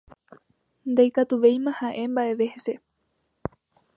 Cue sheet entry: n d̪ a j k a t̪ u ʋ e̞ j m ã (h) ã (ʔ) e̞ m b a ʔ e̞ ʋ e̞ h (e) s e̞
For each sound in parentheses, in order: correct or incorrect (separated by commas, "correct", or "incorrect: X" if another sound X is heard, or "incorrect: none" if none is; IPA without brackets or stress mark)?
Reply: correct, correct, correct